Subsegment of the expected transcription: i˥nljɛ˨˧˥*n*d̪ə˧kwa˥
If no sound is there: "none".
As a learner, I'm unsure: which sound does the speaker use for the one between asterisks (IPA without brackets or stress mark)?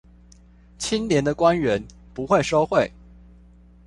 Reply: n